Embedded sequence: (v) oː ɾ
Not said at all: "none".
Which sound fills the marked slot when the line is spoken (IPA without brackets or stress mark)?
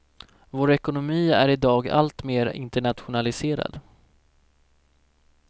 v